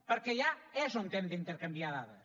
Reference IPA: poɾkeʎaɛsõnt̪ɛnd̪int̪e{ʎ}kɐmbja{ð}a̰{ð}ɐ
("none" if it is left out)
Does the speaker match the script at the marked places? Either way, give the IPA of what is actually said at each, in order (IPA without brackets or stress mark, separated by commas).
ɾ, ð, ð